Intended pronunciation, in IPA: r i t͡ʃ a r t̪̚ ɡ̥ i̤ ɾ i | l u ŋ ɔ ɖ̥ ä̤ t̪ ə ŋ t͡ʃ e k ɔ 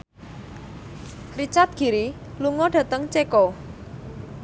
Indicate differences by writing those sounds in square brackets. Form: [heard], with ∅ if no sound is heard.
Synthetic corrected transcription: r i t͡ʃ a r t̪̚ ɡ̥ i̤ ɾ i | l u ŋ ɔ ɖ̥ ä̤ t̪ ə ŋ t͡ʃ e k ɔ